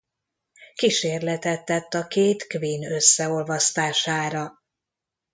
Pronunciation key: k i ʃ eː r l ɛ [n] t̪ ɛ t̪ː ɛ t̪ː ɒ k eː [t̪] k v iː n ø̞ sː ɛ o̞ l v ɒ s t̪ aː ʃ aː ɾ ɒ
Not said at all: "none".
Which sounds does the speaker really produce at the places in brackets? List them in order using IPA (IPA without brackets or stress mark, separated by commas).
none, t̪